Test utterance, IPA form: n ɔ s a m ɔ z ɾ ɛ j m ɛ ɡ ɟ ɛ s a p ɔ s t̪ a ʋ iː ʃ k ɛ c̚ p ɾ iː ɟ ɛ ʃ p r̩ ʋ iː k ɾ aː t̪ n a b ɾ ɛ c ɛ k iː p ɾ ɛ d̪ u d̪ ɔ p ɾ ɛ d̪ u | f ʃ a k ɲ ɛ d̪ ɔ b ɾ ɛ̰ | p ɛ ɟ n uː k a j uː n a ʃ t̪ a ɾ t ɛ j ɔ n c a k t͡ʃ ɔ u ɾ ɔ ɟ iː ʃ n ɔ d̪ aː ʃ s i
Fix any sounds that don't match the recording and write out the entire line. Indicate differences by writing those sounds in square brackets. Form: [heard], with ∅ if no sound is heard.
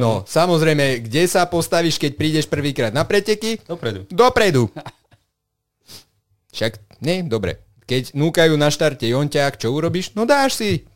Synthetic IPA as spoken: n ɔ s a m ɔ z ɾ ɛ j m ɛ ɡ ɟ ɛ s a p ɔ s t̪ a ʋ iː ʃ k ɛ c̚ p ɾ iː ɟ ɛ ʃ p r̩ ʋ iː k ɾ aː [d̪] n a [p] ɾ ɛ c ɛ k [i] p ɾ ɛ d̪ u d̪ ɔ p ɾ ɛ d̪ u | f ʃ a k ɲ ɛ d̪ ɔ b ɾ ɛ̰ | [k] ɛ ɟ n uː k a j uː n a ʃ t̪ a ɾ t ɛ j ɔ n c a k t͡ʃ ɔ u ɾ ɔ [b] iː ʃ n ɔ d̪ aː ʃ s i